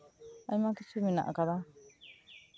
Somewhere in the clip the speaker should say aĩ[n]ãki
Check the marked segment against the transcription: incorrect: m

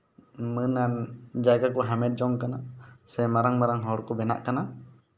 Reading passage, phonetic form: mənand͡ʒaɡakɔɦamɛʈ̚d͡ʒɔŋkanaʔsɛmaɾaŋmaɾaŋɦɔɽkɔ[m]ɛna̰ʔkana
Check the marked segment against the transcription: incorrect: b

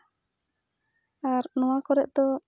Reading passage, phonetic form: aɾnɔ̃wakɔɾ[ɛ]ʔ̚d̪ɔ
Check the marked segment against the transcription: correct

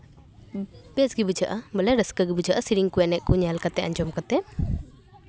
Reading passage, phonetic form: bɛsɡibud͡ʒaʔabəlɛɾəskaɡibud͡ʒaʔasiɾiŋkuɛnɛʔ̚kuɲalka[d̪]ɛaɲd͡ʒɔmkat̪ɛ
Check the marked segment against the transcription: incorrect: t̪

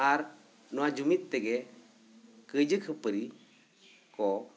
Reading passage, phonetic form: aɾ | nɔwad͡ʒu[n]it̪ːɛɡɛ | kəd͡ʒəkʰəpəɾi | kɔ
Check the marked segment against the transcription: incorrect: m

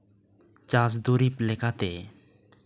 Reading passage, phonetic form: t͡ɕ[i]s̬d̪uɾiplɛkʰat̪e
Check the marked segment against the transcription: incorrect: a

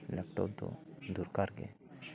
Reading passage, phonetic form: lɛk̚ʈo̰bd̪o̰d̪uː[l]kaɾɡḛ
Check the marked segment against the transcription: incorrect: ɾ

